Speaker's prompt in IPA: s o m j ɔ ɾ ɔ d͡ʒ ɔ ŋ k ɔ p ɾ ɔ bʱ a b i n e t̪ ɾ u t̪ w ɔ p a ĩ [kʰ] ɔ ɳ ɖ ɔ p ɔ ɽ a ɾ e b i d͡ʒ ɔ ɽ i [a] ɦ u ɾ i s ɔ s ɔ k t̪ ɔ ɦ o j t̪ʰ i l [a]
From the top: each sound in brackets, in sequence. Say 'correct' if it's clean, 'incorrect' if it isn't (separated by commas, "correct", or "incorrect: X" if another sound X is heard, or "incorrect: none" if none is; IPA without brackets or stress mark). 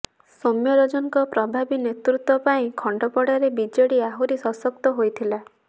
correct, correct, correct